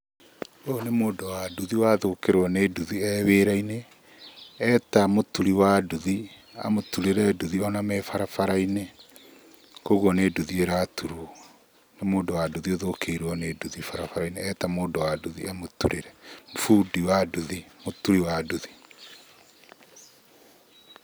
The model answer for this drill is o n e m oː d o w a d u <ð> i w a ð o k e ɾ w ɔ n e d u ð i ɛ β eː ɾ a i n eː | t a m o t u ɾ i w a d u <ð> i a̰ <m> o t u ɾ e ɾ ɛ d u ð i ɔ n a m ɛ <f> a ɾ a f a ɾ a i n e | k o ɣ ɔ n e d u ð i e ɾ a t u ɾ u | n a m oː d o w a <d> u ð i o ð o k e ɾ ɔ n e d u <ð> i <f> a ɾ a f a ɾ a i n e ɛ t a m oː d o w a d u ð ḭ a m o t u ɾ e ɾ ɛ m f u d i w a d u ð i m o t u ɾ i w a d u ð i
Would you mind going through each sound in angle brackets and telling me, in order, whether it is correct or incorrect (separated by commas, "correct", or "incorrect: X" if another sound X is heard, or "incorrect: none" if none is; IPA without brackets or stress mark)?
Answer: correct, correct, correct, correct, correct, correct, correct